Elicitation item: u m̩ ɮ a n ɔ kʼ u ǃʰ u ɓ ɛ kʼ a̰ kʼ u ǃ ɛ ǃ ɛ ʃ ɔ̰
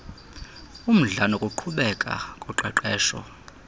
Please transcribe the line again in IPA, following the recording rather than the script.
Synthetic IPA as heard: u m̩ ɮ a n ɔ kʼ u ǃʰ u ɓ ɛ kʼ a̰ kʼ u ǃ ɛ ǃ ɛː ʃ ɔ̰